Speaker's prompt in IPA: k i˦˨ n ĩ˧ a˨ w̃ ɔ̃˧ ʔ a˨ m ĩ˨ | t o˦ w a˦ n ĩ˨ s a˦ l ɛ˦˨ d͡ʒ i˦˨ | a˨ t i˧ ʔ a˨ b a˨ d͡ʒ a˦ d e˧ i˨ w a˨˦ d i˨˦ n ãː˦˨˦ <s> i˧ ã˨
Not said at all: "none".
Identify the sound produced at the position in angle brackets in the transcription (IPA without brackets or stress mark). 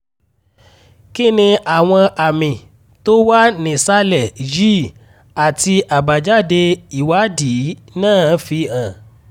f